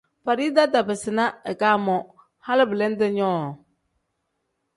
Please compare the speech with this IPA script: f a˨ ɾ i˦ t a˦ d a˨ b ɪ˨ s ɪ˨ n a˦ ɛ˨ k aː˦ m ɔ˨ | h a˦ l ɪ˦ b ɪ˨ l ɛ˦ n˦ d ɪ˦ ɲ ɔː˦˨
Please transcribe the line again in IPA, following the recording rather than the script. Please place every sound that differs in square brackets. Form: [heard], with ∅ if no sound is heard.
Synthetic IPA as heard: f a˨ ɾ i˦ [d] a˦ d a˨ b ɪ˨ s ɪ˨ n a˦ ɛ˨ k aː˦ m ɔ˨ | h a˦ l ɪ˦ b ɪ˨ l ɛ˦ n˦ d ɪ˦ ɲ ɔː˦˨